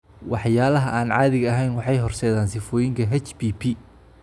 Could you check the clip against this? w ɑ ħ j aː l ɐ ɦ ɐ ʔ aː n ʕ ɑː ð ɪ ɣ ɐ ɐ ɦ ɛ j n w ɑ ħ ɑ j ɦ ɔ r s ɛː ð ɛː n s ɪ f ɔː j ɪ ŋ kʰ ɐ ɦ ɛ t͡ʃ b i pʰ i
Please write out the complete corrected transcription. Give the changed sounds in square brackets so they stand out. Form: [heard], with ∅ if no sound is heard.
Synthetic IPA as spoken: w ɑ ħ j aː l ɐ ɦ ɐ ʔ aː n ʕ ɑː ð ɪ ɣ ɐ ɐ ɦ ɛ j n w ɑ ħ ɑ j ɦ ɔ r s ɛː ð [aː] n s ɪ f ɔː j ɪ ŋ kʰ ɐ ɦ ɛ t͡ʃ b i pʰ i